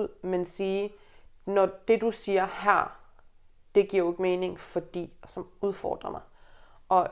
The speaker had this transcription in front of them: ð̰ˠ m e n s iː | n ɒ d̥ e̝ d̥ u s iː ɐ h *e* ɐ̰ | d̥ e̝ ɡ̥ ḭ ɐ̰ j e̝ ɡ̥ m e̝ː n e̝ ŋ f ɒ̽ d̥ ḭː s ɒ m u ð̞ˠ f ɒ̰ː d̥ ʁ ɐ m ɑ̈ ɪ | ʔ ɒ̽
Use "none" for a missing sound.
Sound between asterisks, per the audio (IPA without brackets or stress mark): æ